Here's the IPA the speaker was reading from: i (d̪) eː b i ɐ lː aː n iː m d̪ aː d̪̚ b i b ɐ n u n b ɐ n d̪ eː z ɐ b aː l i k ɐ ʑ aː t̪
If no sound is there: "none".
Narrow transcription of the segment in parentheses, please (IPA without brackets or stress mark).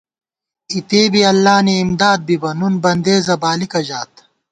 t̪